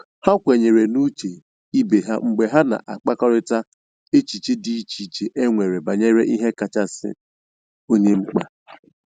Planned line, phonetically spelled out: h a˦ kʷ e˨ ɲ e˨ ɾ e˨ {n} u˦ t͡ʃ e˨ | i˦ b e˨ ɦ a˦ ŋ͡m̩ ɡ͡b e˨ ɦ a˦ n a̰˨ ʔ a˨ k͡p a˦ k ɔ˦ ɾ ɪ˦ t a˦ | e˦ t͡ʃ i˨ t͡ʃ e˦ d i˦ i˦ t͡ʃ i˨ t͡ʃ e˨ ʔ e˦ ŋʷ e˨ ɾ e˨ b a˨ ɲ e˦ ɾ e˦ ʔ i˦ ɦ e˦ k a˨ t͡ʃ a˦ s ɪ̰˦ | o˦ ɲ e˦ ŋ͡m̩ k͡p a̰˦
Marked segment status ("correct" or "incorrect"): correct